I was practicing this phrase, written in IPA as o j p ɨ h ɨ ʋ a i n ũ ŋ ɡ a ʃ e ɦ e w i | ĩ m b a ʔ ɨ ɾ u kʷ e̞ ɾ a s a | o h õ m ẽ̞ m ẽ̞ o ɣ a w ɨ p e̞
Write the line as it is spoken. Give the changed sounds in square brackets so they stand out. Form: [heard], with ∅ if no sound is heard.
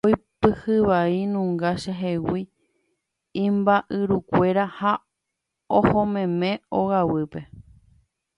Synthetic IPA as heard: o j p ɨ h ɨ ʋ a i n ũ ŋ ɡ a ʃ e ɦ e w i | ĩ m b a ʔ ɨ ɾ u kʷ e̞ ɾ a [h] a | o h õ m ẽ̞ m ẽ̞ o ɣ a w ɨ p e̞

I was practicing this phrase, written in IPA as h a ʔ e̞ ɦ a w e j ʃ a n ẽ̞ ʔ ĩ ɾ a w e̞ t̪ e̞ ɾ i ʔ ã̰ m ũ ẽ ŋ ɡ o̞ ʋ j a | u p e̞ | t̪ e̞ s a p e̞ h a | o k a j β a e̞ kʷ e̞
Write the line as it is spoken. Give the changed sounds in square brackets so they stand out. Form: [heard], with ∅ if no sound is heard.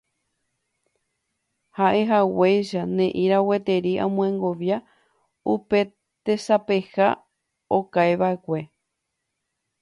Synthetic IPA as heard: h a ʔ e̞ ɦ a w e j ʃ a n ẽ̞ ʔ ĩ ɾ a w e̞ t̪ e̞ ɾ i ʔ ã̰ m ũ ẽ ŋ ɡ o̞ ʋ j a | u p e̞ | t̪ e̞ s a p e̞ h a | o k a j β a e̞ kʷ e̞

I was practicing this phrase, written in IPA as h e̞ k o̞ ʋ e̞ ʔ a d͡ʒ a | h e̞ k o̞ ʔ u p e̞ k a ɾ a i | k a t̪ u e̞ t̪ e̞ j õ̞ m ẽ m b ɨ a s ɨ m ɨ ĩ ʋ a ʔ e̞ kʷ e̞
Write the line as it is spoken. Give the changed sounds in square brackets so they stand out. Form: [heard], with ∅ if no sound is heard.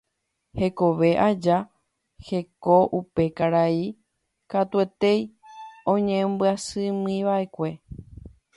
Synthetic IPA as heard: h e̞ k o̞ ʋ e̞ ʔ a d͡ʒ a | h e̞ k o̞ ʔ u p e̞ k a ɾ a i | k a t̪ u e̞ t̪ e̞ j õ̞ [ɲ] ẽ m b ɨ a s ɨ m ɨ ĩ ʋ a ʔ e̞ kʷ e̞

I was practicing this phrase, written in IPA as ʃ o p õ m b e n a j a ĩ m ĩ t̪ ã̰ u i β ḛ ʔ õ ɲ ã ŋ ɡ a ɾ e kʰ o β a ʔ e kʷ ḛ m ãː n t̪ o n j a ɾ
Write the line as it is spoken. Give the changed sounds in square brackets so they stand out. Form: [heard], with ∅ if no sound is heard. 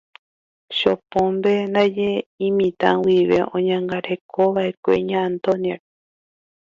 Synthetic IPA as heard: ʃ o p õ m b e n a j [e] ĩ m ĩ t̪ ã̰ [w] i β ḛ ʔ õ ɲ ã ŋ ɡ a ɾ e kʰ o β a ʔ e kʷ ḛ [ɲ] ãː n t̪ o n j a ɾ

